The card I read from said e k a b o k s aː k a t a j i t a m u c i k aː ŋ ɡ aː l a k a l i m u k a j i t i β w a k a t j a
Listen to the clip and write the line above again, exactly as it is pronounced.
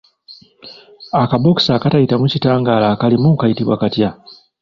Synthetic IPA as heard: a k a b o k s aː k a t a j i t a m u c i t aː ŋ ɡ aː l a k a l i m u k a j i t i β w a k a t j a